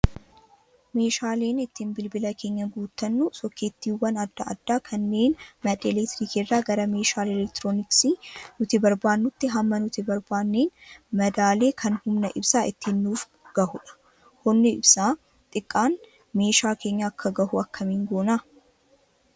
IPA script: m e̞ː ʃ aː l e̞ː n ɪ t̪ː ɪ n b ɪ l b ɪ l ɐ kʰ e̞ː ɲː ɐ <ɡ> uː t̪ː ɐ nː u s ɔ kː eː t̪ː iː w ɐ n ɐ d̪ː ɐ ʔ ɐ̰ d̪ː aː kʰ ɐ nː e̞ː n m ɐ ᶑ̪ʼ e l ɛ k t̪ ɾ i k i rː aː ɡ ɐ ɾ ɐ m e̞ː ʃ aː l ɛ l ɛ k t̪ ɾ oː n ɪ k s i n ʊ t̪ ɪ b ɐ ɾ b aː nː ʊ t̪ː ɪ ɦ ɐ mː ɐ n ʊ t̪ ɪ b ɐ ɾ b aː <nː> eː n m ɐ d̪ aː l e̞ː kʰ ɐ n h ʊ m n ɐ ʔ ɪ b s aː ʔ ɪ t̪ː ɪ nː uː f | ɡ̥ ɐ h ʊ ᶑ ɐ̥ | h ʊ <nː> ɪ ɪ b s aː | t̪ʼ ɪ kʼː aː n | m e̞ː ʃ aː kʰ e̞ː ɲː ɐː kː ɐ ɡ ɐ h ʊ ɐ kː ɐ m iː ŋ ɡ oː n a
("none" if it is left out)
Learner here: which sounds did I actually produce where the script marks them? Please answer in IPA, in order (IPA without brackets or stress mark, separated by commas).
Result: ɡ, nː, nː